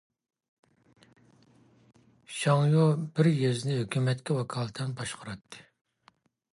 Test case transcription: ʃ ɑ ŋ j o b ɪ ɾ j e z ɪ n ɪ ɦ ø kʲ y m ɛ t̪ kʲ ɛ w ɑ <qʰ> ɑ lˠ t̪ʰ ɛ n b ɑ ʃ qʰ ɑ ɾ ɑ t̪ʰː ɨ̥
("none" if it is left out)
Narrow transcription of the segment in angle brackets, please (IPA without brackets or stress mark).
kʰ